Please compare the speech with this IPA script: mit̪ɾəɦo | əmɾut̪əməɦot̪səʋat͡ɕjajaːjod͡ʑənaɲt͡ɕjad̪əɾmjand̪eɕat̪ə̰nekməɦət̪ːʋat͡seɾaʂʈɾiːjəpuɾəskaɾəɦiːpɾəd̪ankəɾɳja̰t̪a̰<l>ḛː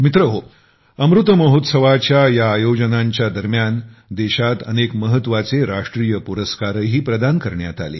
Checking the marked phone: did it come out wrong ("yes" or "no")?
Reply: no